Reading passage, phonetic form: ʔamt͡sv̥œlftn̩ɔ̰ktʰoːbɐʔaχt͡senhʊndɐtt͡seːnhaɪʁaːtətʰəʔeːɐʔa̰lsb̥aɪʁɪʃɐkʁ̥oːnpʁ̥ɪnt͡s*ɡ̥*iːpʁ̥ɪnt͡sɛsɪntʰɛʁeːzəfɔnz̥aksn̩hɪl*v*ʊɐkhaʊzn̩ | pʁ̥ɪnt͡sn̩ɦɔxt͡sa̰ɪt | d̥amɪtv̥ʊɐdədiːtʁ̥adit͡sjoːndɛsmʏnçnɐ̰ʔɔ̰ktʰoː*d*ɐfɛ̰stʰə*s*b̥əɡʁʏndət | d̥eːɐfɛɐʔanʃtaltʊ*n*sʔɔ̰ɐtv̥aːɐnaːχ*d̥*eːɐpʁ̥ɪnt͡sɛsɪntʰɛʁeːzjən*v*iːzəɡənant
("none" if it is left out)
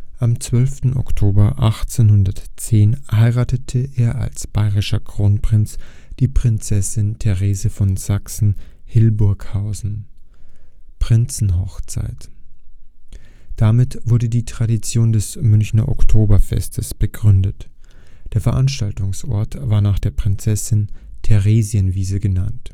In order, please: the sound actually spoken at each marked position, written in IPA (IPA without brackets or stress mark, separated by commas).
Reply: d̥, b, b, s, ŋ, d̥, v